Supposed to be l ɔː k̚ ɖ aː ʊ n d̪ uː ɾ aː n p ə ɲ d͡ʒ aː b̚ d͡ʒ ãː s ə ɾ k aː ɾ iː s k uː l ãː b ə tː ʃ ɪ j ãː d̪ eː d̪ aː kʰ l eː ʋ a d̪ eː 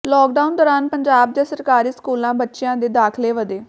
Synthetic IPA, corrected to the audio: l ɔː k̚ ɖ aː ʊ n d̪ ɔː ɾ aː n p ə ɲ d͡ʒ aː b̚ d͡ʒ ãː s ə ɾ k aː ɾ iː s k uː l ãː b ə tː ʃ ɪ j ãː d̪ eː d̪ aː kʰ l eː ʋ ə d̪ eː